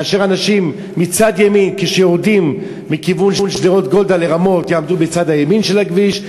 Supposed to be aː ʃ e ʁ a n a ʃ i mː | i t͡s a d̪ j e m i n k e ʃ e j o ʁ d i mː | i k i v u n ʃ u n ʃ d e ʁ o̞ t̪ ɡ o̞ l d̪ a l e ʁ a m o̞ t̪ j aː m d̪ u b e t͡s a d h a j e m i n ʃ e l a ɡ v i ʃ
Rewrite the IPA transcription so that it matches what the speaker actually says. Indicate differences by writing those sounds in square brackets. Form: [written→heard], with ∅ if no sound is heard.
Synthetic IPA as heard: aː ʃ e ʁ a n a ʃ i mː | i t͡s a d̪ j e m i n k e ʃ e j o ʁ d i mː | i k i v u n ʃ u n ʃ d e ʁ o̞ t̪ ɡ o̞ l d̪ a l e ʁ a m o̞ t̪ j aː m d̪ u b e t͡s a d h a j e m i n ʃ e l a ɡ v i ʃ